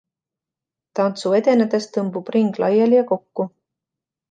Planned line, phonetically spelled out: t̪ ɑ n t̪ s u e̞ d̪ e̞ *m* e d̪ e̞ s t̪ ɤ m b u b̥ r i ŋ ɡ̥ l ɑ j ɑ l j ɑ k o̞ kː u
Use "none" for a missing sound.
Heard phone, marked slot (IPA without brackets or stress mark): n